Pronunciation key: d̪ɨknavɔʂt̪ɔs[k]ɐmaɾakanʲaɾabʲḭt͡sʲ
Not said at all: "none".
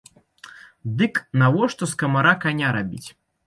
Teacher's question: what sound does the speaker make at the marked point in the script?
k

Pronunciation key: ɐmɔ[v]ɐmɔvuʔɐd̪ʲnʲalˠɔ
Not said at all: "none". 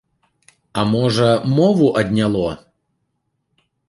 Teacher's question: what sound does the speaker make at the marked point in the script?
ʐ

